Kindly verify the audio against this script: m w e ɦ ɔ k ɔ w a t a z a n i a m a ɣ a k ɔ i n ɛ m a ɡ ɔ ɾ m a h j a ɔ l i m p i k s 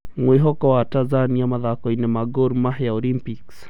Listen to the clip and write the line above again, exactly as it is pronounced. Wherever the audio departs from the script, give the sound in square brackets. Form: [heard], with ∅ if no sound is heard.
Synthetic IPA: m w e ɦ ɔ k ɔ w a t a z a n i a m a [ð] a k ɔ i n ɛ m a ɡ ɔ ɾ m a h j a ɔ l i m p i k s